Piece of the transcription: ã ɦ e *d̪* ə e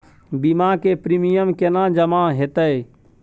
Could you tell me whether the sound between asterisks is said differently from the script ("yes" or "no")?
yes